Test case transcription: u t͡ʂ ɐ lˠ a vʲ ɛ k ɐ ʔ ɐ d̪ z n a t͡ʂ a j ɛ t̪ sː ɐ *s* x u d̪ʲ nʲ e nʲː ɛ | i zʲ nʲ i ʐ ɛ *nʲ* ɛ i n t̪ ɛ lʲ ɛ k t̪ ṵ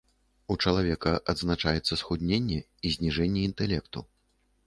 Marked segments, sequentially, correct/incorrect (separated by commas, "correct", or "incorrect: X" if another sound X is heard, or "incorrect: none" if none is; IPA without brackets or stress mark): correct, incorrect: nʲː